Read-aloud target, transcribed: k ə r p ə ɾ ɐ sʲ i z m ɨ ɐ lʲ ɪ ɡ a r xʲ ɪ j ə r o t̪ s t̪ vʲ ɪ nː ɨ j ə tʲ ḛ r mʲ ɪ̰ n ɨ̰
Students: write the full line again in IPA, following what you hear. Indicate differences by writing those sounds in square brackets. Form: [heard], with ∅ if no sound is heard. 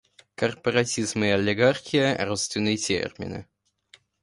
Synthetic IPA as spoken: k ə r p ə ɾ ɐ [tʲ] i z m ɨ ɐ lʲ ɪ ɡ a r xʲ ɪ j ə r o t̪ s t̪ vʲ ɪ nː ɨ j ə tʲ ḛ r mʲ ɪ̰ n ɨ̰